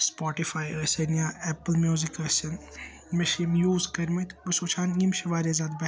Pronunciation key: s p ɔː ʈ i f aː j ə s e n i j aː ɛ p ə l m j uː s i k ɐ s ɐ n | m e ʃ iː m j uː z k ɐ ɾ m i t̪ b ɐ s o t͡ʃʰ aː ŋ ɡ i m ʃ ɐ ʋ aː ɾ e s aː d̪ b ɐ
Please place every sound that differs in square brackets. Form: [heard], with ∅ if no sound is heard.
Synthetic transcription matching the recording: s p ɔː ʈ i f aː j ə s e n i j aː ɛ p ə l m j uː [z] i k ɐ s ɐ n | m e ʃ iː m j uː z k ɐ ɾ m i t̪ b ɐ s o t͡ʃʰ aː [n] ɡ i m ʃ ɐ ʋ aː ɾ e [z] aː d̪ b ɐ